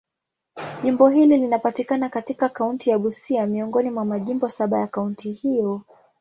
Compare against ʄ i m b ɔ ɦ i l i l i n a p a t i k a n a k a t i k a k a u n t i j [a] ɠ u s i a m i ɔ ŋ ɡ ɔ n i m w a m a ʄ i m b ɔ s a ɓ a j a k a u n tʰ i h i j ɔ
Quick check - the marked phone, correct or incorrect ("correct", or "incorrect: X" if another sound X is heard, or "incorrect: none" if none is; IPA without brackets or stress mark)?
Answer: correct